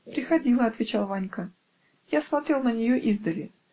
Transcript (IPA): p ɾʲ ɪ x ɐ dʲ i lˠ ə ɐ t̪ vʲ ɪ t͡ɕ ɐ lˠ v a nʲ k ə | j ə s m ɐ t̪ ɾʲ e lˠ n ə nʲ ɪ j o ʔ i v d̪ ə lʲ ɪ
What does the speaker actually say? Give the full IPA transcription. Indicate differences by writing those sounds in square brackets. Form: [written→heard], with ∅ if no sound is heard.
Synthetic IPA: p ɾʲ ɪ x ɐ dʲ i lˠ ə ɐ t̪ vʲ ɪ t͡ɕ [ɐ→a] lˠ v a nʲ k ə | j [ə→a] s m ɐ t̪ ɾʲ e lˠ n ə nʲ ɪ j o ʔ i [v→z] d̪ ə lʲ ɪ